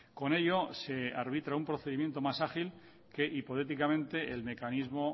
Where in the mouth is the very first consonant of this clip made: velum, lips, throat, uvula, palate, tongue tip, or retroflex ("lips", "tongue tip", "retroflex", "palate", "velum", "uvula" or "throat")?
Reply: velum